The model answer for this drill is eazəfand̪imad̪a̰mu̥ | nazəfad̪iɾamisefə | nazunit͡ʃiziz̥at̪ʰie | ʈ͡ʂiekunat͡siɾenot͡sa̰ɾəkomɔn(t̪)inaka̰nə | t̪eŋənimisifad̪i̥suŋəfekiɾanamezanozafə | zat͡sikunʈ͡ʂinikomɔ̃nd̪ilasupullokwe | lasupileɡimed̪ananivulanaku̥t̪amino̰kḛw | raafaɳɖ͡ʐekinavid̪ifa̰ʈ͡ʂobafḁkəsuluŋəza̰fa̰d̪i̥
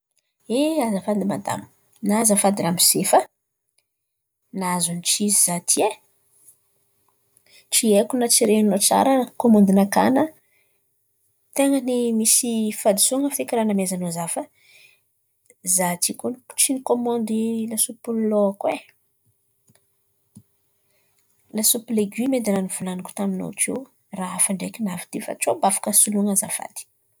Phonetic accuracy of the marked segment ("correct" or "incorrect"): incorrect